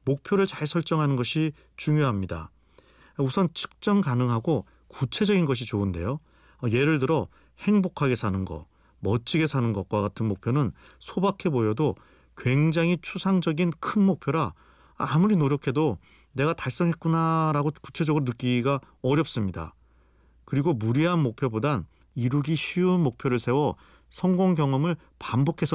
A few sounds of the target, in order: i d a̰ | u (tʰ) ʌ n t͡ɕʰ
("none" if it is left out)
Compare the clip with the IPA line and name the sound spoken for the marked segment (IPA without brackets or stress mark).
sʰ